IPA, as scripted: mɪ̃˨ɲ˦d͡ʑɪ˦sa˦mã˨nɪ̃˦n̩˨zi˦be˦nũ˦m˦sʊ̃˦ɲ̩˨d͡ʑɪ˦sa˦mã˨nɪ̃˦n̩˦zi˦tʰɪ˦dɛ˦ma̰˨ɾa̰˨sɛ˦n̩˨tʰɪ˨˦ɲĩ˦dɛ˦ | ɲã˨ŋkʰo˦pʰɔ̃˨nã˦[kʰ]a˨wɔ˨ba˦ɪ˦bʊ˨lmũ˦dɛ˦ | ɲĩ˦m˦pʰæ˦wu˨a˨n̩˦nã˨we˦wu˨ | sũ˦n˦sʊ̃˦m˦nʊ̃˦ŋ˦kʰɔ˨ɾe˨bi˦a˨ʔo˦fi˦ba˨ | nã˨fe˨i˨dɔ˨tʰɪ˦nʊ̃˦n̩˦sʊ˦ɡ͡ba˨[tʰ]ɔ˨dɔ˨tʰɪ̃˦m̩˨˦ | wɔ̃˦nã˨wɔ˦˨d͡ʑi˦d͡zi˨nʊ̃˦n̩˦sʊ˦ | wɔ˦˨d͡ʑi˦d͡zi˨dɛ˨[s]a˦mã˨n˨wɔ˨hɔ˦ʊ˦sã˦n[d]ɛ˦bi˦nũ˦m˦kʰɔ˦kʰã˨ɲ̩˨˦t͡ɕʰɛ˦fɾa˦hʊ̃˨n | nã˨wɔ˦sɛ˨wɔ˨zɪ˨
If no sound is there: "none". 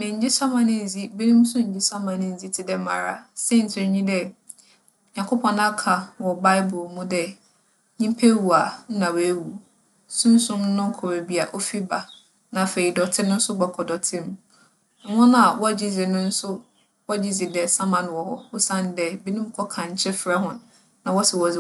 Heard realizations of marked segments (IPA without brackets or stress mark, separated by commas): kʰ, kʰ, s, d